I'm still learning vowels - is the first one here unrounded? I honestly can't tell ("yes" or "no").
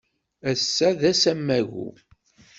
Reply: yes